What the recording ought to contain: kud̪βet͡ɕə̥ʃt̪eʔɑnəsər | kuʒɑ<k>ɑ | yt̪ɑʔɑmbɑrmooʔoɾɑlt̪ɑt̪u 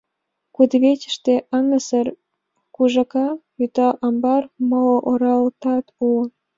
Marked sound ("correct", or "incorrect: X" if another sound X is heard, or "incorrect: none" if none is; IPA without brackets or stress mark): correct